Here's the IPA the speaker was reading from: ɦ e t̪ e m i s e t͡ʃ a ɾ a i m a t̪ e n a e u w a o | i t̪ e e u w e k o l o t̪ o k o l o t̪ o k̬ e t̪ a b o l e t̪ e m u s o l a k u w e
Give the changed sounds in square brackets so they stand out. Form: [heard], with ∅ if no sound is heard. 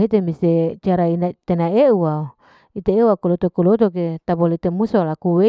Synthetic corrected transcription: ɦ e t̪ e m i s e t͡ʃ a ɾ a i [n] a t̪ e n a e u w a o | i t̪ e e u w [a] k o l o t̪ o k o l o t̪ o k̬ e t̪ a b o l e t̪ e m u s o l a k u w e